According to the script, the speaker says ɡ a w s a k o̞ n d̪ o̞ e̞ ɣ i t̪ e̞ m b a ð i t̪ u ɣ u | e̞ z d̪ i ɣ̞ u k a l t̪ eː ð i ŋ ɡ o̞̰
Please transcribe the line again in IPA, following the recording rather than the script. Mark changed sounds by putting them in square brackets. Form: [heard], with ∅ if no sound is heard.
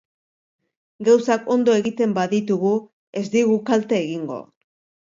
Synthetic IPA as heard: ɡ a w s a k o̞ n d̪ o̞ e̞ ɣ i t̪ e̞ m b a ð i t̪ u ɣ u | e̞ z d̪ i ɣ̞ u k a l t̪ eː [ɣ] i ŋ ɡ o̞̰